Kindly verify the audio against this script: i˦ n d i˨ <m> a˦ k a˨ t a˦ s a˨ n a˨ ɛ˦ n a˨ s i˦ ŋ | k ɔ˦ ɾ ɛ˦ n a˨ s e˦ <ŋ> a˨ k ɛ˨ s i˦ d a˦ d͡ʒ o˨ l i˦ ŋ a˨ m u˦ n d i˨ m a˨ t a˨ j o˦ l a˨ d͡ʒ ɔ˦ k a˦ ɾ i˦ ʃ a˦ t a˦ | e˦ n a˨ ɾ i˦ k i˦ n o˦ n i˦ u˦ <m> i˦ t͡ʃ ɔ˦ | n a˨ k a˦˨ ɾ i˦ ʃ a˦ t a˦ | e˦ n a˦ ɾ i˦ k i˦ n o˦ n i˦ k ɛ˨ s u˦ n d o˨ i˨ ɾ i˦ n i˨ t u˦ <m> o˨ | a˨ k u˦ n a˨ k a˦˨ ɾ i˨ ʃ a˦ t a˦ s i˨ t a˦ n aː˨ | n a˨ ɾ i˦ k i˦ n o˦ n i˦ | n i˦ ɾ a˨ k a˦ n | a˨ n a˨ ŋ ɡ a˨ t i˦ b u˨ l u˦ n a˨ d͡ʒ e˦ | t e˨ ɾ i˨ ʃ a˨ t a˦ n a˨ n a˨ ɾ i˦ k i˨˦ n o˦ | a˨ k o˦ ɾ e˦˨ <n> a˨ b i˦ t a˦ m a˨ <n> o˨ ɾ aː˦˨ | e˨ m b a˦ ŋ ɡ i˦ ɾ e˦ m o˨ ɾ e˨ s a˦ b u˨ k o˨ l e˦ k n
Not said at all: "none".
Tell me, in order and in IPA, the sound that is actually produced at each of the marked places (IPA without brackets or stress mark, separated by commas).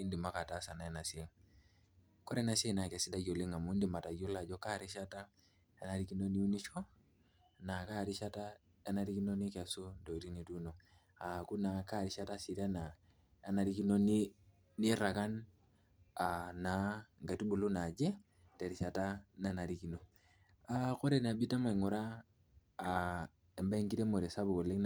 m, n, n, n, n, ŋ